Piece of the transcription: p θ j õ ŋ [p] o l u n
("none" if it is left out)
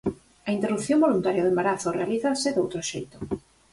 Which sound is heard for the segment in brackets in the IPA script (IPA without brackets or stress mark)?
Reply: b